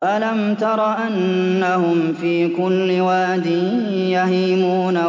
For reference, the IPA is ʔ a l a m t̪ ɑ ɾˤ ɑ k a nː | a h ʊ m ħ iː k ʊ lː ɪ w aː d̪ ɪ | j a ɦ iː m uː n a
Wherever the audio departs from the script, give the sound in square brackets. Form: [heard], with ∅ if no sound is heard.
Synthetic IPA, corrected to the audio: ʔ a l a m t̪ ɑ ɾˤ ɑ [ʔ] a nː | a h ʊ m [f] iː k ʊ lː ɪ w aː d̪ ɪ | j a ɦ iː m uː n a